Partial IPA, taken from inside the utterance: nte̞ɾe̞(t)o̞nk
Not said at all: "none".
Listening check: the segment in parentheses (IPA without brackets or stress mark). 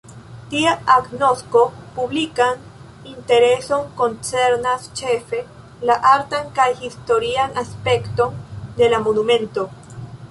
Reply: s